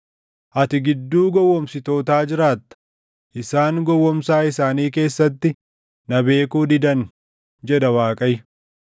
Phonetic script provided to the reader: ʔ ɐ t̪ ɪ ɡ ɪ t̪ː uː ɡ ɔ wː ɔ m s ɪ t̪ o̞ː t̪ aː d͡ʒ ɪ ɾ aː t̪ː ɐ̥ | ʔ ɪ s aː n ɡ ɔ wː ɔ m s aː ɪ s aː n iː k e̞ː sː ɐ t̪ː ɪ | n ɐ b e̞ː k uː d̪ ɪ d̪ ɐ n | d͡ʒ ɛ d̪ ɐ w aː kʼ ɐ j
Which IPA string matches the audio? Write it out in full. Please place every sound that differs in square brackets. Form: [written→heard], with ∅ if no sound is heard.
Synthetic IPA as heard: ʔ ɐ t̪ ɪ ɡ ɪ [t̪ː→d̪ː] uː ɡ ɔ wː ɔ m s ɪ t̪ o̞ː t̪ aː d͡ʒ ɪ ɾ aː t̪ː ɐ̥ | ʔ ɪ s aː [n→ŋ] ɡ ɔ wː ɔ m s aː ɪ s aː n iː k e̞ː sː ɐ t̪ː ɪ | n ɐ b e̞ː k uː d̪ ɪ d̪ ɐ n | d͡ʒ ɛ d̪ ɐ w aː kʼ ɐ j